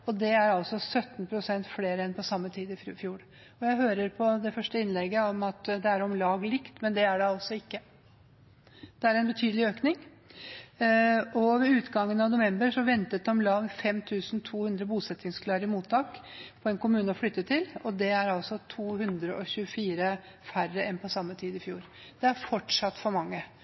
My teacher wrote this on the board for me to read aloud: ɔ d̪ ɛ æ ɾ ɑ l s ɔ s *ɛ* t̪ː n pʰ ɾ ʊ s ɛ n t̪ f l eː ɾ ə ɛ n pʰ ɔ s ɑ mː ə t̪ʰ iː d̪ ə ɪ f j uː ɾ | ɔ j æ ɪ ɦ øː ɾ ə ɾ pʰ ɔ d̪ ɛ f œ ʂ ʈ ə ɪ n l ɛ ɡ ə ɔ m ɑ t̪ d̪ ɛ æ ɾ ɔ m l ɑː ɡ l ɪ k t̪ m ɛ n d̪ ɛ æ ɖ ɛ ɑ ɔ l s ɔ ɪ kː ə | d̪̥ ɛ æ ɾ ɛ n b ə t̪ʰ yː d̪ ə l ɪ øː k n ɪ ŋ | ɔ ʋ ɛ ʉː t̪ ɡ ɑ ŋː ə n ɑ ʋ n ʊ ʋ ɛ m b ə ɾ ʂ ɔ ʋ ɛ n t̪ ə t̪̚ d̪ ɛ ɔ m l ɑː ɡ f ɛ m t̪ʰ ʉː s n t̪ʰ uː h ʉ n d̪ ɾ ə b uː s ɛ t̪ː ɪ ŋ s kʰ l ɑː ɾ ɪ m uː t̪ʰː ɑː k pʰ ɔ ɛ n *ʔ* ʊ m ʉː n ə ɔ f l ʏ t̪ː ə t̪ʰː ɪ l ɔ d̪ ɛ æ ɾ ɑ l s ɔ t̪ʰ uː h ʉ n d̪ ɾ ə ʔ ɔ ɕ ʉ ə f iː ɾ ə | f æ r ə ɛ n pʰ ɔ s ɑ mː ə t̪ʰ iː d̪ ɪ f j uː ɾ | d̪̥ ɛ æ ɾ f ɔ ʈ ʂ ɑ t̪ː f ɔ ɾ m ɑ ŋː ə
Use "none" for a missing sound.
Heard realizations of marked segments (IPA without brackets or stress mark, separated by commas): œ, k